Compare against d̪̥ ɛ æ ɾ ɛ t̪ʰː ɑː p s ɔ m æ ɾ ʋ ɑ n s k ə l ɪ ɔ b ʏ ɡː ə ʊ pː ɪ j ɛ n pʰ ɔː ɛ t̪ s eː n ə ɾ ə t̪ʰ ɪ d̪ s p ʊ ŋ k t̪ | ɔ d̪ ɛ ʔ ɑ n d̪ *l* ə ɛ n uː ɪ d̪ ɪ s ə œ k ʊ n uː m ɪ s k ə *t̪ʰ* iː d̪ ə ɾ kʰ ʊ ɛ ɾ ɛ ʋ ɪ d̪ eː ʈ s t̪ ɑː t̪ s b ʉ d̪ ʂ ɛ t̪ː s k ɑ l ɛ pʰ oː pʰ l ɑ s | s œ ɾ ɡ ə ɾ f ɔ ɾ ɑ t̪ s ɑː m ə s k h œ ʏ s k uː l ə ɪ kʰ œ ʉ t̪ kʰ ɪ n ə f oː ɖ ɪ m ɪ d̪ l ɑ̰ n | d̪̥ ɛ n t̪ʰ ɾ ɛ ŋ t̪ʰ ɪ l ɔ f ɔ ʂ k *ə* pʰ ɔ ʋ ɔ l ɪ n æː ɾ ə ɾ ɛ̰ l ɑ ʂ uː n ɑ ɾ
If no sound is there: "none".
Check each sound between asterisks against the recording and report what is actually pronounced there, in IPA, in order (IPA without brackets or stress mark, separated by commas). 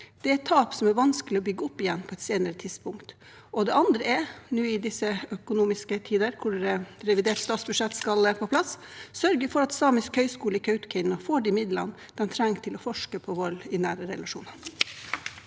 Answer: ɾ, t̪ʰ, ə